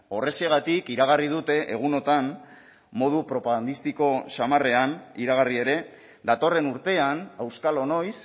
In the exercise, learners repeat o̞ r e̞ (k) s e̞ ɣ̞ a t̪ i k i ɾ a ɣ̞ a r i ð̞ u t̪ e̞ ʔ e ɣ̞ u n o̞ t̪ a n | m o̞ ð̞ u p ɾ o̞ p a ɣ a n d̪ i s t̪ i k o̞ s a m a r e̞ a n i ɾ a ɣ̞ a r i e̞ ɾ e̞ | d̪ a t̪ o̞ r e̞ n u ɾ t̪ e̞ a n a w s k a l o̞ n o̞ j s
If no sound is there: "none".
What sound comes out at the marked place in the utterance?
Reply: none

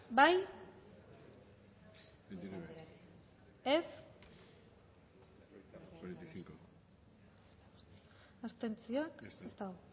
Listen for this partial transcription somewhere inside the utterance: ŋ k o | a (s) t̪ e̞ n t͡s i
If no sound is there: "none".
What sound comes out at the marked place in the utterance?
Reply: s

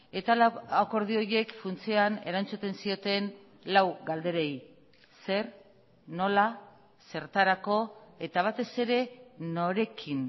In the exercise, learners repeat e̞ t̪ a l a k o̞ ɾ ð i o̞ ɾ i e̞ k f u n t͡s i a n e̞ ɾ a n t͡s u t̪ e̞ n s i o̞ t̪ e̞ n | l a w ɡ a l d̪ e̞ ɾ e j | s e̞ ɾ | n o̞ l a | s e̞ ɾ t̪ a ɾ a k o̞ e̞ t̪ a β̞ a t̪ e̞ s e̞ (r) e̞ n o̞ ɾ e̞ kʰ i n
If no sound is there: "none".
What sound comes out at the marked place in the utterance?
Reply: ɾ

